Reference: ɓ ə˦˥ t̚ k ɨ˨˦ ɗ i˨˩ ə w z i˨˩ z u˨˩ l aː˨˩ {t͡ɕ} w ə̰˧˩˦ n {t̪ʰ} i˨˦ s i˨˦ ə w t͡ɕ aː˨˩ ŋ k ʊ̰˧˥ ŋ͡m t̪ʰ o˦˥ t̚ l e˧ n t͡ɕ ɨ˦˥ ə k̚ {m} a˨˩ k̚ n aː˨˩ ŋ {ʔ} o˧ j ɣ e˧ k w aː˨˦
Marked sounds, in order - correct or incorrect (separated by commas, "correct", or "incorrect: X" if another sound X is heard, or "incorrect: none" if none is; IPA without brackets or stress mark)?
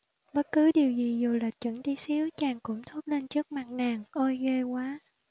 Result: correct, incorrect: t̪, correct, correct